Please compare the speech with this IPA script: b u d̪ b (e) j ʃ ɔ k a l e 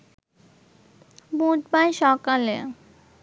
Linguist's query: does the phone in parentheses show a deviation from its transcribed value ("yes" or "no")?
yes